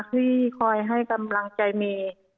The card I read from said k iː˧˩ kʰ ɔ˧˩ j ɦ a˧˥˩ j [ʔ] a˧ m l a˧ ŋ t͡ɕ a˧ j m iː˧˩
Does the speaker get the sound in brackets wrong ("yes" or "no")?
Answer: yes